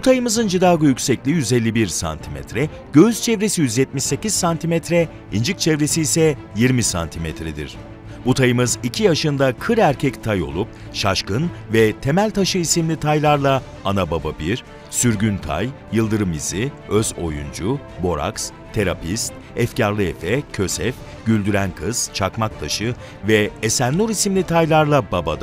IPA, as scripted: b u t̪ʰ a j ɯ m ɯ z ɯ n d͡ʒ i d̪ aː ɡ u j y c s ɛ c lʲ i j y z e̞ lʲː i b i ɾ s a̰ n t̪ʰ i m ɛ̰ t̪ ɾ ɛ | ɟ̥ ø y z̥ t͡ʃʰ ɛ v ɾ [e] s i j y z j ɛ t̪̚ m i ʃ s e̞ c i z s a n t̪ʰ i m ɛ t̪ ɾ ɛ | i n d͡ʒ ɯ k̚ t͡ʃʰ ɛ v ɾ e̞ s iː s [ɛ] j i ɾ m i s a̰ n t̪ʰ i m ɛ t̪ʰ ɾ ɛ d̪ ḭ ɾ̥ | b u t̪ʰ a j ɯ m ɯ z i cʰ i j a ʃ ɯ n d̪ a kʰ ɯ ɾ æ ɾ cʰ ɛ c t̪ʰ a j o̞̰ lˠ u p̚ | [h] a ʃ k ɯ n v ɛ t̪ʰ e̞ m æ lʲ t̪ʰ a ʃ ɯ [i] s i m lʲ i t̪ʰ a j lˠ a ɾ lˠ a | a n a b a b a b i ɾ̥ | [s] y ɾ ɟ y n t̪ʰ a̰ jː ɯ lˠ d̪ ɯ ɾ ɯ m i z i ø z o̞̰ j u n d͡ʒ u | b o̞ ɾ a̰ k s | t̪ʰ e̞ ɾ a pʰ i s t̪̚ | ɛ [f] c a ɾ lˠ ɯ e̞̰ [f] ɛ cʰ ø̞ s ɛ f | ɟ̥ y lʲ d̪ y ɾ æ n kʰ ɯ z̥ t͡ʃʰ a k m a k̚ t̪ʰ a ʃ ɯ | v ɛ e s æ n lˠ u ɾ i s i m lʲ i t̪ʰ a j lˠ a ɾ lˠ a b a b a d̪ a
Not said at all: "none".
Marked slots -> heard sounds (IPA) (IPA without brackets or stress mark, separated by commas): e, ɛ, ʃ, i, s, f, f